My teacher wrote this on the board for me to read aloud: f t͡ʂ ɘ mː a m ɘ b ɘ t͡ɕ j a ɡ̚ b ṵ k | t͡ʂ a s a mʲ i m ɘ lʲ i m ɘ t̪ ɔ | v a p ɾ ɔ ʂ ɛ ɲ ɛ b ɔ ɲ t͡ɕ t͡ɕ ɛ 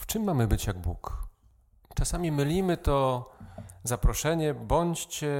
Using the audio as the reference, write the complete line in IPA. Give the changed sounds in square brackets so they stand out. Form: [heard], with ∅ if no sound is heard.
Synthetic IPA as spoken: f t͡ʂ ɘ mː a m ɘ b ɘ t͡ɕ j a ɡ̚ b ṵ k | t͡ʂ a s a mʲ i m ɘ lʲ i m ɘ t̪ ɔ | [z] a p ɾ ɔ ʂ ɛ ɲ ɛ b ɔ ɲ t͡ɕ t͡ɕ ɛ